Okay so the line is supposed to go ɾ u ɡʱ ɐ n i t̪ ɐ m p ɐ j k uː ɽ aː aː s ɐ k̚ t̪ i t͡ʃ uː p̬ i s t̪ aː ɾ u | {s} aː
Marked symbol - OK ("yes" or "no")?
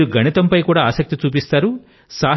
yes